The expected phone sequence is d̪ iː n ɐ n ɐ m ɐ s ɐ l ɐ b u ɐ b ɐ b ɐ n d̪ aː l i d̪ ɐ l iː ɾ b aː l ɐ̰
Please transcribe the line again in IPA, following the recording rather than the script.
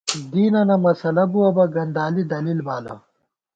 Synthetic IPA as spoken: d̪ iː n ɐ n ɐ m ɐ s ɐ l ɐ b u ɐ b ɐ ɡ ɐ n d̪ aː l i d̪ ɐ l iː l b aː l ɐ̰